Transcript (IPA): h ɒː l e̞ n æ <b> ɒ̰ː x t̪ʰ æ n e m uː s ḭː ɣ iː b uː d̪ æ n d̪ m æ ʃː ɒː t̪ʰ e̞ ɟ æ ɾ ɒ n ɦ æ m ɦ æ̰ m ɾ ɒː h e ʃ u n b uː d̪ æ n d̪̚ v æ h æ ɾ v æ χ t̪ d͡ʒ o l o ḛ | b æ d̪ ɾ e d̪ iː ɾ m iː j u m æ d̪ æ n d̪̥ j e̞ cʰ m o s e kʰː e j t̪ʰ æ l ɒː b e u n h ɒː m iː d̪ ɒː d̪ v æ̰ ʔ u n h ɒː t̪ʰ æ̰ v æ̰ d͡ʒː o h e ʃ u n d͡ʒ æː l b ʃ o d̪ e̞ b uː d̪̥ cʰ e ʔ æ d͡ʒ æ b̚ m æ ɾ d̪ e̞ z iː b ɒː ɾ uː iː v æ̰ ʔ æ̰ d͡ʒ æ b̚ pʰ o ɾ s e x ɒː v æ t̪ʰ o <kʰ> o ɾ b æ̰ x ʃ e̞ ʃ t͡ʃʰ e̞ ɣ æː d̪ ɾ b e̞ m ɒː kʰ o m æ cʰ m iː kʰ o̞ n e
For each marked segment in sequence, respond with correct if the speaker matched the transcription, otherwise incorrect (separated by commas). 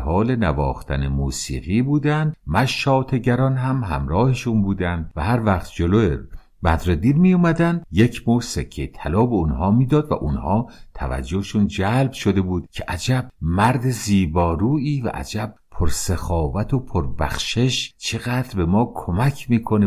incorrect, incorrect